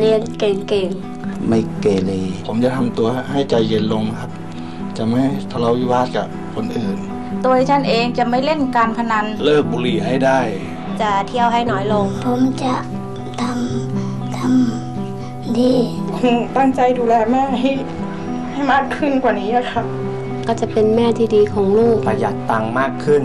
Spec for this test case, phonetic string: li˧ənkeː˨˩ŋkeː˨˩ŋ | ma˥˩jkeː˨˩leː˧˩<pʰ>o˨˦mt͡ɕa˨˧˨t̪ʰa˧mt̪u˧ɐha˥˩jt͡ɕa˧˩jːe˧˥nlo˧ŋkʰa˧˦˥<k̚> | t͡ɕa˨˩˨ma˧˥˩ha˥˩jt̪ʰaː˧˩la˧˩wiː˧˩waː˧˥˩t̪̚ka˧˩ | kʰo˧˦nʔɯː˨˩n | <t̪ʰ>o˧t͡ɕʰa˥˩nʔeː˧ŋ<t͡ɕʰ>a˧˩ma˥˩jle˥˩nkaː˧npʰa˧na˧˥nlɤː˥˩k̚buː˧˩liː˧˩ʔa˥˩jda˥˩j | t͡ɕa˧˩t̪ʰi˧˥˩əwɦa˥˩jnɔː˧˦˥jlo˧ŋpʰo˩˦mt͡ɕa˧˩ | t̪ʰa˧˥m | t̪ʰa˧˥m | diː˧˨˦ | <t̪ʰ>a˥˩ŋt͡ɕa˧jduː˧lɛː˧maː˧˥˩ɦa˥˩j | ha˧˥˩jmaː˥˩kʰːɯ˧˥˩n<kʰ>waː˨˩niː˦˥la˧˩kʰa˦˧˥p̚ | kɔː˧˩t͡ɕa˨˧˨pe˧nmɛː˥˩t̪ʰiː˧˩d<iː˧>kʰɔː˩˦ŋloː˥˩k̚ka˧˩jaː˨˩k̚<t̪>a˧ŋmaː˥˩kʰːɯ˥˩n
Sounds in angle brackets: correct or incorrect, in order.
correct, incorrect: p̚, incorrect: t̪, incorrect: t͡ɕ, incorrect: t̪, incorrect: k, correct, correct

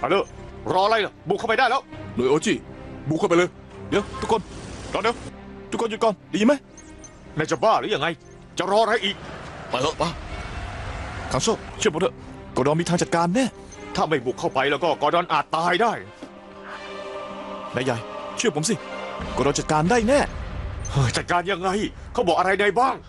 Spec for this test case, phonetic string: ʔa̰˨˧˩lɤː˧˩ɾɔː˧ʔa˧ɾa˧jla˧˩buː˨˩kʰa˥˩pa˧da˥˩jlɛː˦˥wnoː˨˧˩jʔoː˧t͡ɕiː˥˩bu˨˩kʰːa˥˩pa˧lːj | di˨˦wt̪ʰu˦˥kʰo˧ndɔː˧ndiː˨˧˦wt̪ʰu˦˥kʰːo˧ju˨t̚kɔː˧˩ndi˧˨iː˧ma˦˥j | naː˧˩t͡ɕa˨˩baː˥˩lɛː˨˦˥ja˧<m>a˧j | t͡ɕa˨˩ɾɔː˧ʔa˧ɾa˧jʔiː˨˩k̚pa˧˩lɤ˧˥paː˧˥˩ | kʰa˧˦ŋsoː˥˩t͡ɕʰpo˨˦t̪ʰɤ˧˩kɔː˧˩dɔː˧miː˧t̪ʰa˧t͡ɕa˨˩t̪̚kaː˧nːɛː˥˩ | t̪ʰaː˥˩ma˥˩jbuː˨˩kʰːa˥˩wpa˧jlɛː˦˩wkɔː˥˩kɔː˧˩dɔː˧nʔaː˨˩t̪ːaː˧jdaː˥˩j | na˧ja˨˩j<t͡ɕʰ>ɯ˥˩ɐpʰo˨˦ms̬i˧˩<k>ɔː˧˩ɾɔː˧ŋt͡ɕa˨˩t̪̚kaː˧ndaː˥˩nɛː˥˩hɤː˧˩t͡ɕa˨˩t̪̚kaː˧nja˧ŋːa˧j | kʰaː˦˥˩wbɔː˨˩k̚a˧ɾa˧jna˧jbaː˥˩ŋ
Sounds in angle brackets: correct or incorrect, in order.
incorrect: ŋ, correct, correct

